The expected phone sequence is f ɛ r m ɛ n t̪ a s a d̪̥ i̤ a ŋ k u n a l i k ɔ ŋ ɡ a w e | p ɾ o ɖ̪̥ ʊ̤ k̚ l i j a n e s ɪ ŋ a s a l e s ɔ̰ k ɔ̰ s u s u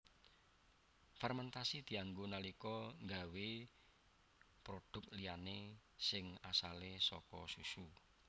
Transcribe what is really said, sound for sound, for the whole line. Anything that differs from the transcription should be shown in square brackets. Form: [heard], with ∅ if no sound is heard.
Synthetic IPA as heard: f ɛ r m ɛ n t̪ a s [i] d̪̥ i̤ a ŋ [ɡ] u n a l i k ɔ ŋ ɡ a w e | p ɾ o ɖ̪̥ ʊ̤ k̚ l i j a n e s ɪ ŋ a s a l e s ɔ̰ k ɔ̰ s u s u